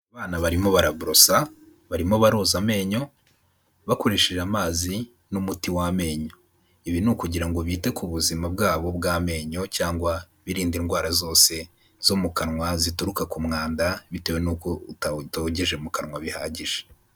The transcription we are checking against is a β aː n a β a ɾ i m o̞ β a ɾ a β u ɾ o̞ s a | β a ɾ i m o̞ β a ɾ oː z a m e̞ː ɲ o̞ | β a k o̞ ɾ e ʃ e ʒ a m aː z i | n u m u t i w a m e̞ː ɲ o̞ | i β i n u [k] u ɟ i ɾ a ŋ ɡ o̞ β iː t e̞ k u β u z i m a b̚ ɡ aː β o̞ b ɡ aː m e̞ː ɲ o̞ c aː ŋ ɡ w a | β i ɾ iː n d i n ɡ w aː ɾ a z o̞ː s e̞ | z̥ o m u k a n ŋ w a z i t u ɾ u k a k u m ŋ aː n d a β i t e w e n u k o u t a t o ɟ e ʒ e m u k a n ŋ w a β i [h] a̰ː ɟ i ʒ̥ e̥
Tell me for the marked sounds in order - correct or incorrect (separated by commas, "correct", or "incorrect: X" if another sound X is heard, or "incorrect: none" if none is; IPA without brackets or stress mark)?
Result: correct, correct